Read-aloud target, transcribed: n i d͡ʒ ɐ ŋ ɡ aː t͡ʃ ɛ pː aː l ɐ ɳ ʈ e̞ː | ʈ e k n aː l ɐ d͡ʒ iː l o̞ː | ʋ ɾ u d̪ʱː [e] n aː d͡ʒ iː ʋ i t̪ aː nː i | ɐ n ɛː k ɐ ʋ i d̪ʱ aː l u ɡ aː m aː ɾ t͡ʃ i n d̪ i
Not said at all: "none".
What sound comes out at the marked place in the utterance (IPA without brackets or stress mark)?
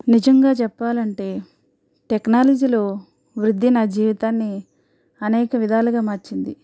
i